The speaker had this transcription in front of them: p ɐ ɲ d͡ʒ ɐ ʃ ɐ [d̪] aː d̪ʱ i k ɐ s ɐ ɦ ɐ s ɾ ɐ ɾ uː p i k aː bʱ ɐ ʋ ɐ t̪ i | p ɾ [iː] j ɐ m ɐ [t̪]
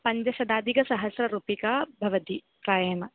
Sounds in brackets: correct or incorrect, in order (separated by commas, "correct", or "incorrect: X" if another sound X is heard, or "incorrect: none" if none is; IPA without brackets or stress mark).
correct, incorrect: aː, incorrect: none